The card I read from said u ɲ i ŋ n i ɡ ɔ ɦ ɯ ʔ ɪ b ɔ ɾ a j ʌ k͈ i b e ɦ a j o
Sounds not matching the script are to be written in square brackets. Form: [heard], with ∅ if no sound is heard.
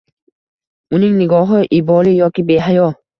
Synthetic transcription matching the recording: u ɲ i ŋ n i ɡ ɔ ɦ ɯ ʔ [i] b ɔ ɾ [i] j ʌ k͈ i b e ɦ a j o